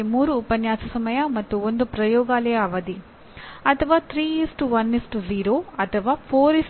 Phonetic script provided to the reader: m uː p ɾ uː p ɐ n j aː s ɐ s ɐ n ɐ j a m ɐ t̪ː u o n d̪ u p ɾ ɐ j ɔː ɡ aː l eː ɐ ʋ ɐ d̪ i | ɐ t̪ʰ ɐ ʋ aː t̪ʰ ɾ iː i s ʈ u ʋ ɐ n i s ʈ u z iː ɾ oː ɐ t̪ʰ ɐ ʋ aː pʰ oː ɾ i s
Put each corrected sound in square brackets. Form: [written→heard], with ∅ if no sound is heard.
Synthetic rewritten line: m uː [p→∅] ɾ uː p ɐ n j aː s ɐ s ɐ [n→m] ɐ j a m ɐ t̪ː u o n d̪ u p ɾ ɐ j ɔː ɡ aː l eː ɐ ʋ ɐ d̪ i | ɐ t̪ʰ ɐ ʋ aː t̪ʰ ɾ iː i s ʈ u ʋ ɐ n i s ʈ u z iː ɾ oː ɐ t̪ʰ ɐ ʋ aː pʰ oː ɾ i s